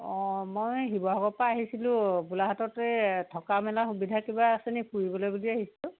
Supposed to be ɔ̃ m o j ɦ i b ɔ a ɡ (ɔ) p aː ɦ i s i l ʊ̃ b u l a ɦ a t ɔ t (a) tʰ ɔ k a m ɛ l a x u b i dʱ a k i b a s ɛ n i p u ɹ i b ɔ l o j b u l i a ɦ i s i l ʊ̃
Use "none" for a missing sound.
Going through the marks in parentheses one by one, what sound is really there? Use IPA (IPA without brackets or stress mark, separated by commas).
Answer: ɔ, ɛ